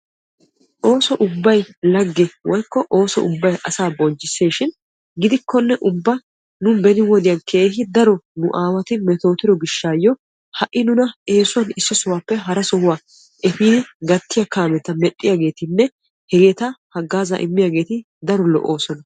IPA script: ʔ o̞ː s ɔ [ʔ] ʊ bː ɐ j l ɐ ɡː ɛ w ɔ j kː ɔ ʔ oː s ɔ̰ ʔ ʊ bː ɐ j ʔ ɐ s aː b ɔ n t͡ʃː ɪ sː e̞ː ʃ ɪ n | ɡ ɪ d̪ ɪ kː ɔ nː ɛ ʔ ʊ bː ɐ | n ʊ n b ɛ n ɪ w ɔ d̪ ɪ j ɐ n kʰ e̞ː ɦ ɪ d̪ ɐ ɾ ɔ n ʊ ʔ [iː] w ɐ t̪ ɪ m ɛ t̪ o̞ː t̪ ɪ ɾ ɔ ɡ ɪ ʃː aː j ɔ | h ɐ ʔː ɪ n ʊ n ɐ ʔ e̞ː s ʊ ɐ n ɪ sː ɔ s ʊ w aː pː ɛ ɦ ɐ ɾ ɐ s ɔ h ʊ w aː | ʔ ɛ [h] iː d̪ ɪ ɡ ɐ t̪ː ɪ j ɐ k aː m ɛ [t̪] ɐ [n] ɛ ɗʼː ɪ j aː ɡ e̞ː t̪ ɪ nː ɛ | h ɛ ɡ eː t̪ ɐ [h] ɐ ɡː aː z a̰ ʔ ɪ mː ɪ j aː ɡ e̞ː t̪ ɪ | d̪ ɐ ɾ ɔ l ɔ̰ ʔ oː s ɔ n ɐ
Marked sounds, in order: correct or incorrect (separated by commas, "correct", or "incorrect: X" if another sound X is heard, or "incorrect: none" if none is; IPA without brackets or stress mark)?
correct, incorrect: aː, incorrect: f, correct, incorrect: m, correct